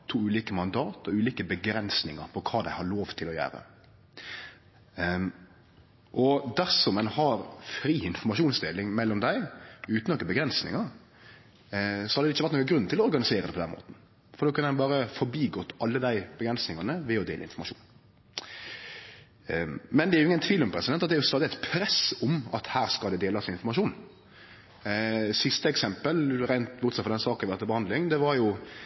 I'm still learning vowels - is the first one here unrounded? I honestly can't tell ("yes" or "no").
no